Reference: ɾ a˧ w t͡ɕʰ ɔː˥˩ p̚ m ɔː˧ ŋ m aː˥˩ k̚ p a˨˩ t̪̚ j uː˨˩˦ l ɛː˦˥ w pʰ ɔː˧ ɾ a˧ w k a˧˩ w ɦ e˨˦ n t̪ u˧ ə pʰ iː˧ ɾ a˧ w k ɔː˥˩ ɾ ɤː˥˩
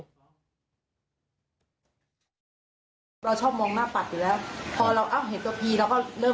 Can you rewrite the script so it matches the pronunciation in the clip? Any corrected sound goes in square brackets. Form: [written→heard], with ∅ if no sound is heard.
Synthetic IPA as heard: ɾ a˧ w t͡ɕʰ ɔː˥˩ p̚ m ɔː˧ ŋ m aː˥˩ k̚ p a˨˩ t̪̚ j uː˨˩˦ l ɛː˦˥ w pʰ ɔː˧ ɾ a˧ w [k→ʔ] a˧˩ w ɦ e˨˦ n t̪ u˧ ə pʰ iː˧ ɾ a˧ w k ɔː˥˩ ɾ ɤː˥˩